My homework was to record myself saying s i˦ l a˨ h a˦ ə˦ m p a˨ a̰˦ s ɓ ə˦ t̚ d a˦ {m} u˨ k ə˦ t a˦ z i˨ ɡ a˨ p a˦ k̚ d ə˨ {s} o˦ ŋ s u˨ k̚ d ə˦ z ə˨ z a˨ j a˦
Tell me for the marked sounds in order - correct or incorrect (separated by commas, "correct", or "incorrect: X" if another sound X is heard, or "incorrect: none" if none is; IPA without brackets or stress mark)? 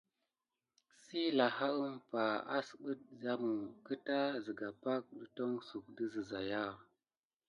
correct, incorrect: t